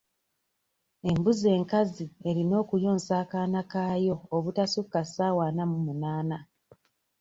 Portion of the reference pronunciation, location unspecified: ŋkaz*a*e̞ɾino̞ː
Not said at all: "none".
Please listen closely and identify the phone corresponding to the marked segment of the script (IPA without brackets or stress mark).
i